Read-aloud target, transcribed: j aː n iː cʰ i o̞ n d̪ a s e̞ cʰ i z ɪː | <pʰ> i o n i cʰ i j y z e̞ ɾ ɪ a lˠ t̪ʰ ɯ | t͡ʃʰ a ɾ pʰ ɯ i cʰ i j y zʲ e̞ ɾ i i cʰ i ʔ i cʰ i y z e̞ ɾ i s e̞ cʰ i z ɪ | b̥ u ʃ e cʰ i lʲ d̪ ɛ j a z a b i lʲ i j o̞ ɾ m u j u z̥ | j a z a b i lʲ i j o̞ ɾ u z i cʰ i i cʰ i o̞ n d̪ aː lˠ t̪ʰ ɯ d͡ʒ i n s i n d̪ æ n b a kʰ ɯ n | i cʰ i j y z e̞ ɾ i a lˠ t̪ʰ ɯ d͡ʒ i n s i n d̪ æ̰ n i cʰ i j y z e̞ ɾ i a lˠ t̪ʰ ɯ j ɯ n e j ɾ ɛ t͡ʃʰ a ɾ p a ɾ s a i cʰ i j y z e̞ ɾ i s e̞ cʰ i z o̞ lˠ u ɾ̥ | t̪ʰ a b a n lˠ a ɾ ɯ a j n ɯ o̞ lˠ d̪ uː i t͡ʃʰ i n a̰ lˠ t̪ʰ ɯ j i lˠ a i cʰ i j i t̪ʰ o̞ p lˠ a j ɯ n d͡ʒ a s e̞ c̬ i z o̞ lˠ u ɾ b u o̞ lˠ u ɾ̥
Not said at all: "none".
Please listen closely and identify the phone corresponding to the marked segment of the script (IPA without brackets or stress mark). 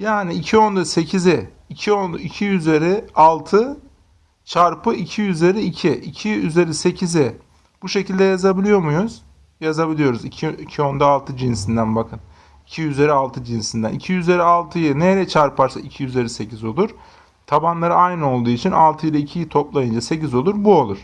cʰ